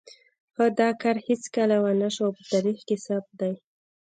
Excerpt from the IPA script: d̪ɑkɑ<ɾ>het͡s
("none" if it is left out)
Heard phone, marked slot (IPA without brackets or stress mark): ɾ